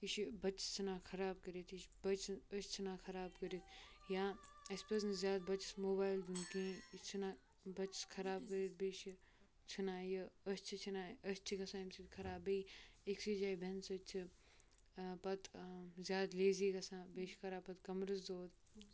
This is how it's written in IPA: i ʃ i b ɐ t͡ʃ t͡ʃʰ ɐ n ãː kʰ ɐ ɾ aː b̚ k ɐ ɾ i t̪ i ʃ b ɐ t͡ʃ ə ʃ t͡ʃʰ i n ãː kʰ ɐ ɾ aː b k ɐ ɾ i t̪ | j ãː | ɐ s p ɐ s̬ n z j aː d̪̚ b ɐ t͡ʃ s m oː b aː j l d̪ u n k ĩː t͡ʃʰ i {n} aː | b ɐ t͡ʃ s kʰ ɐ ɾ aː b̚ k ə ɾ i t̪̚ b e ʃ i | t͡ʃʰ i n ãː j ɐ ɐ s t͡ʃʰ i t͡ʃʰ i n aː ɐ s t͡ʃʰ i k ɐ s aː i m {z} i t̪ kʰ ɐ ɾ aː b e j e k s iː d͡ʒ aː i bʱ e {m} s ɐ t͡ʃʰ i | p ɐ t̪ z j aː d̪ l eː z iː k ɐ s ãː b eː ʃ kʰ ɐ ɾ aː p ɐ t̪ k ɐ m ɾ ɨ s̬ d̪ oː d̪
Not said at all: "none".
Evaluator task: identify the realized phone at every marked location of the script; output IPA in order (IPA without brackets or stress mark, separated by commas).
n, s, n